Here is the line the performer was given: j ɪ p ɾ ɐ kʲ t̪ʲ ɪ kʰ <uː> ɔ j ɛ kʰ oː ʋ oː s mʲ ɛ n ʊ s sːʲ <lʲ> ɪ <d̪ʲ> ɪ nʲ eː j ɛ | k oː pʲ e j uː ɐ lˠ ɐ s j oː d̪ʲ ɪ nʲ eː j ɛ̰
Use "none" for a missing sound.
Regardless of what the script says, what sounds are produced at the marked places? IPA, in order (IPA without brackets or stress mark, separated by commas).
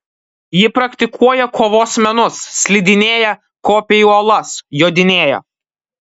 u, lʲ, d̪ʲ